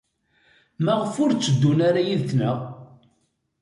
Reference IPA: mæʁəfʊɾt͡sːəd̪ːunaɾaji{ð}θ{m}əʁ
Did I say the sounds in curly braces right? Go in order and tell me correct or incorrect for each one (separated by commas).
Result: correct, incorrect